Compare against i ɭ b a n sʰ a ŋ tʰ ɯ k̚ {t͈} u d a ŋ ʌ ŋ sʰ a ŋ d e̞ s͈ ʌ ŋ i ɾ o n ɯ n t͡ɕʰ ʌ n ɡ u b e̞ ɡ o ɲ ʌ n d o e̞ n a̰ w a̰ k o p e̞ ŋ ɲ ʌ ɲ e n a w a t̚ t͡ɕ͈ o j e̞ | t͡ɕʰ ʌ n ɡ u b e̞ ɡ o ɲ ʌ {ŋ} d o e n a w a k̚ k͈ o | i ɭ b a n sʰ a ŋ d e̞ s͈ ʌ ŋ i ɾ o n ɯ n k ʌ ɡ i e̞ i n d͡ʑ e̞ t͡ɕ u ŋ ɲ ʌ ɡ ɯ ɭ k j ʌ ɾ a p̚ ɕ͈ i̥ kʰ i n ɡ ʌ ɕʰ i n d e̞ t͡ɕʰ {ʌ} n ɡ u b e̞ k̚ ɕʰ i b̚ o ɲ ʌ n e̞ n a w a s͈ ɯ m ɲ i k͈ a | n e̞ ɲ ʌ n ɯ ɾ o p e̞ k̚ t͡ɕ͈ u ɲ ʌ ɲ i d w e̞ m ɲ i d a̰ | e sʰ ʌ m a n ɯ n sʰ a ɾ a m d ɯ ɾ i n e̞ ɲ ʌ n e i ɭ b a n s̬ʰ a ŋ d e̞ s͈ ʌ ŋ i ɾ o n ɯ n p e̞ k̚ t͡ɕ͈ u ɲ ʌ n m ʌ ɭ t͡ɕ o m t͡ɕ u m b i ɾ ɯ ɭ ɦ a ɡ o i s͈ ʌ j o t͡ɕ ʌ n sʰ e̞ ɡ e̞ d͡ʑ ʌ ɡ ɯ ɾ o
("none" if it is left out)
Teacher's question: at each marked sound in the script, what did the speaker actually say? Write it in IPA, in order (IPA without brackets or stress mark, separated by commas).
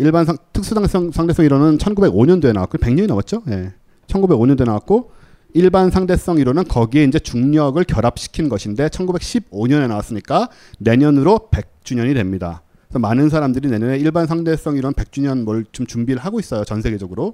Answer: s͈, n, ʌ